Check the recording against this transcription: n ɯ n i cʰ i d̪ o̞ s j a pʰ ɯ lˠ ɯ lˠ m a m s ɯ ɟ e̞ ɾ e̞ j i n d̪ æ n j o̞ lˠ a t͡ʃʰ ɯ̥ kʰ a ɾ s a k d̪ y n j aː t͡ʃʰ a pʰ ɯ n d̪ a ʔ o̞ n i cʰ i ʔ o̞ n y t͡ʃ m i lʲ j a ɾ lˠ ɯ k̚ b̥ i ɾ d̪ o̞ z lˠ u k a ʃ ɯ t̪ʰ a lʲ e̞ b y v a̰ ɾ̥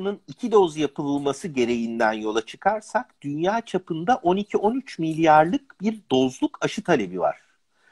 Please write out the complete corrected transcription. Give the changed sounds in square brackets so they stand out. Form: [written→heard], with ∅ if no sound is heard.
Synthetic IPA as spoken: n ɯ n i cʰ i d̪ o̞ [s→z] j a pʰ ɯ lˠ ɯ lˠ m a [m→∅] s ɯ ɟ e̞ ɾ e̞ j i n d̪ æ n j o̞ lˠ a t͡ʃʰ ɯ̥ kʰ a ɾ s a k d̪ y n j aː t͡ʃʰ a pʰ ɯ n d̪ a ʔ o̞ n i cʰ i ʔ o̞ n y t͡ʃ m i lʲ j a ɾ lˠ ɯ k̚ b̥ i ɾ d̪ o̞ z lˠ u k a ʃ ɯ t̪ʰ a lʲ e̞ b [y→i] v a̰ ɾ̥